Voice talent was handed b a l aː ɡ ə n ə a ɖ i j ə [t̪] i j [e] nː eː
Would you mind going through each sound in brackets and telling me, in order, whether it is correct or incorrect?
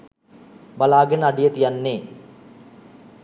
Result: correct, incorrect

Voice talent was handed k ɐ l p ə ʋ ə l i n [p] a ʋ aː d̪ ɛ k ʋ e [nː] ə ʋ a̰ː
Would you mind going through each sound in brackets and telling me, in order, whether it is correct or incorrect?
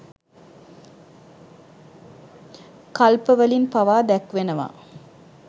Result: correct, incorrect

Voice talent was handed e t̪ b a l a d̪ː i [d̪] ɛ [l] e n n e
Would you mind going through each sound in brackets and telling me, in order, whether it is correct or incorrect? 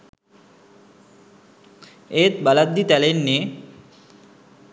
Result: incorrect, correct

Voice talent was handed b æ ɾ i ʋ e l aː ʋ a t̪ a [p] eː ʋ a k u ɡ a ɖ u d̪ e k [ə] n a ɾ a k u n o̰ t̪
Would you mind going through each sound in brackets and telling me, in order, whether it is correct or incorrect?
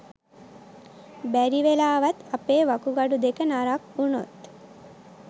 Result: correct, correct

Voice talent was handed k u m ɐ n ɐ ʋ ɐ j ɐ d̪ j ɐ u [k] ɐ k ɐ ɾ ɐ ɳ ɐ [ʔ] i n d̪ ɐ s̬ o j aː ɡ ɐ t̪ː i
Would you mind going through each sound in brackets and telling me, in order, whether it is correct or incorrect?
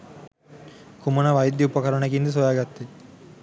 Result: incorrect, incorrect

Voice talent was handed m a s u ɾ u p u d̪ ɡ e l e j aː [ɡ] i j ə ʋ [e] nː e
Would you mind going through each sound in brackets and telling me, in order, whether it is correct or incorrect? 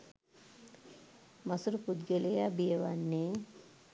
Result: incorrect, incorrect

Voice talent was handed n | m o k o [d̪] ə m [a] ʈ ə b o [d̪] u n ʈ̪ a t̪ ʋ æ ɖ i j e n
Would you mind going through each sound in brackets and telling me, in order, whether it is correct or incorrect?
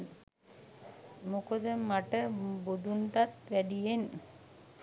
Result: correct, correct, correct

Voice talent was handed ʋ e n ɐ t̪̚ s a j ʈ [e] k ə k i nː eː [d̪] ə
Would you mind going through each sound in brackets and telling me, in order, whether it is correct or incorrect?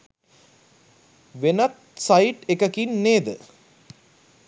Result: correct, correct

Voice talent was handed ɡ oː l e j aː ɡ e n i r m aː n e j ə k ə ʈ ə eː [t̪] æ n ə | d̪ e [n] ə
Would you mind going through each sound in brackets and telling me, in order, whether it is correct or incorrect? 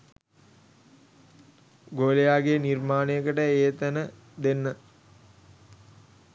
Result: correct, incorrect

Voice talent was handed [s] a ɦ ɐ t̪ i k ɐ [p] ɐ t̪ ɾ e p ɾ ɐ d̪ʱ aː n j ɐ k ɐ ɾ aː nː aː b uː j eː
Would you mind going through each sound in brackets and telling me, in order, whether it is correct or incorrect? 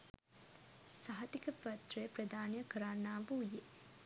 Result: correct, correct

